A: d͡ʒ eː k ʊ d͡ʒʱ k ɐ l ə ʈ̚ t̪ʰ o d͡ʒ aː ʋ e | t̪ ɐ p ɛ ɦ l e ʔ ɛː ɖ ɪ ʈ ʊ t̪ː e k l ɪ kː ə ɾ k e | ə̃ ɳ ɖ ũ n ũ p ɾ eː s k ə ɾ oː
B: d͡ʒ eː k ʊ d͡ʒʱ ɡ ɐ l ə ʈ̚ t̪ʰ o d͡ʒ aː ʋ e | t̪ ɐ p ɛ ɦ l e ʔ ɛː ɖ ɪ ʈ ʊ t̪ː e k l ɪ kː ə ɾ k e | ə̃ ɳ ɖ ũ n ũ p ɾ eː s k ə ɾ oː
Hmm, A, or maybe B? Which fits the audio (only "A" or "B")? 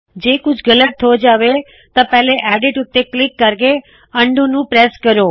B